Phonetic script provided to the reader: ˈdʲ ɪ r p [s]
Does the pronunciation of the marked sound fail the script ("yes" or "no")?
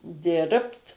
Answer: yes